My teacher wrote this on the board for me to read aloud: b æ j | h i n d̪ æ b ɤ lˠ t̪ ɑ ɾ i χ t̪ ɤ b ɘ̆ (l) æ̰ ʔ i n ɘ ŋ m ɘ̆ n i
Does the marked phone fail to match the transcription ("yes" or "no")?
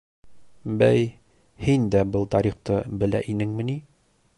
no